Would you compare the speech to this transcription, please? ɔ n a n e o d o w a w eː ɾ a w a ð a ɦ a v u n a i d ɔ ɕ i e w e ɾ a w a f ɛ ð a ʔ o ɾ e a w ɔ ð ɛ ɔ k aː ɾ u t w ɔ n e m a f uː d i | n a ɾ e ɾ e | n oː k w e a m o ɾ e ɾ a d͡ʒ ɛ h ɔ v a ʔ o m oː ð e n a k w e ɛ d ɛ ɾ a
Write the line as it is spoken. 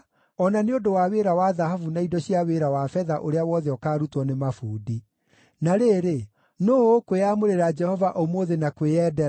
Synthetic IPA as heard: ɔ n a n e o d o w a w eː ɾ a w a ð a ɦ a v u n a i d ɔ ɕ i a w e ɾ a w a f ɛ ð a ʔ o ɾ e a w ɔ ð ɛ ɔ k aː ɾ u t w ɔ n e m a f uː d i | n a ɾ e ɾ e | n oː k w e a m o ɾ e ɾ a d͡ʒ ɛ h ɔ v a ʔ o m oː ð e n a k w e ɛ d ɛ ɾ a